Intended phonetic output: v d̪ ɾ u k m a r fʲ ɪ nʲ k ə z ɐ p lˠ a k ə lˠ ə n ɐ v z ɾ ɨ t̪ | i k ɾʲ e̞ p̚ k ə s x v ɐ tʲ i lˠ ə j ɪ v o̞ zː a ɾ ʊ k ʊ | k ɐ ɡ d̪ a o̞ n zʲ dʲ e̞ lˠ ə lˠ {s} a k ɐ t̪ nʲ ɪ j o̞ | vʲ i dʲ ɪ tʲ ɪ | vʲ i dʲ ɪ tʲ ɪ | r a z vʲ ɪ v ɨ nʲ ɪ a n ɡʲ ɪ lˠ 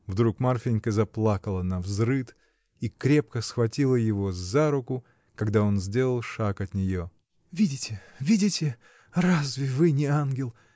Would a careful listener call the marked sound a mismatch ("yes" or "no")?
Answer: yes